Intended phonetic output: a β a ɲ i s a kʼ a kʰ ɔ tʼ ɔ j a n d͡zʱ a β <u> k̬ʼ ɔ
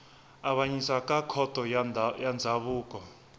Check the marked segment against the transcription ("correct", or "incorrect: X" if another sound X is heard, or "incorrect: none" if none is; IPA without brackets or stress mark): incorrect: uː